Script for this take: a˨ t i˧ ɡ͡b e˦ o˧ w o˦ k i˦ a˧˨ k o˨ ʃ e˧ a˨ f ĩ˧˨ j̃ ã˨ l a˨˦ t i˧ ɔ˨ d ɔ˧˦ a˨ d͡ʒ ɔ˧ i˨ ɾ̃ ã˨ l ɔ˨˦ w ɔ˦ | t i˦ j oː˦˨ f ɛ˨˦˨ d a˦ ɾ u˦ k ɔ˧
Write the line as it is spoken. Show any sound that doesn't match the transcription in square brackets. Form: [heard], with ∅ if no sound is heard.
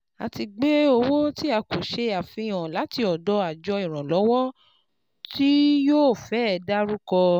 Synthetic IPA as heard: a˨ t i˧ ɡ͡b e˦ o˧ w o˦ [t] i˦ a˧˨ k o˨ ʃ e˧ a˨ f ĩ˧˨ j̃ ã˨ l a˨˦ t i˧ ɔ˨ d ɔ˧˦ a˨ d͡ʒ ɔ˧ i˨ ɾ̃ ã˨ l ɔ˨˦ w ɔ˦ | t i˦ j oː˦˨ f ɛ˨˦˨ d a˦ ɾ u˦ k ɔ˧